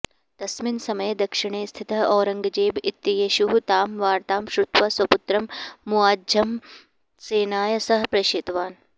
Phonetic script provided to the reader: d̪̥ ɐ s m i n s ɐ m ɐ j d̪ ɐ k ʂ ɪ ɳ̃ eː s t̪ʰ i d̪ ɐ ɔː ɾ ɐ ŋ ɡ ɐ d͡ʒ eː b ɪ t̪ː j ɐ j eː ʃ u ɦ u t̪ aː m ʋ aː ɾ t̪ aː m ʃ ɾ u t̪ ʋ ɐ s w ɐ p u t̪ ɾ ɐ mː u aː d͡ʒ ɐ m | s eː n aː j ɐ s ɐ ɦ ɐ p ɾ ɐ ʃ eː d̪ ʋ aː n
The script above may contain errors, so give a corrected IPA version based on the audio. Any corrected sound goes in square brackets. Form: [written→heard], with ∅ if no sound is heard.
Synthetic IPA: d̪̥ ɐ s m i n s ɐ m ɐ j d̪ ɐ k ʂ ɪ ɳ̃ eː s t̪ʰ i [d̪→t̪] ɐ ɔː ɾ ɐ ŋ ɡ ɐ d͡ʒ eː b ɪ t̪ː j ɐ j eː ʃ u ɦ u t̪ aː m ʋ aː ɾ t̪ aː m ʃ ɾ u t̪ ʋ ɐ s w ɐ p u t̪ ɾ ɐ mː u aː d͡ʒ ɐ m | s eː n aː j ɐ s ɐ ɦ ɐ p ɾ ɐ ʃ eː [d̪→t̪] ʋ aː n